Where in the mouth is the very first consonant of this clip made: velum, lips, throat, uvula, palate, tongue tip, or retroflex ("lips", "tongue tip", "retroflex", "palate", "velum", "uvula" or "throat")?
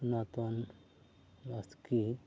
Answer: tongue tip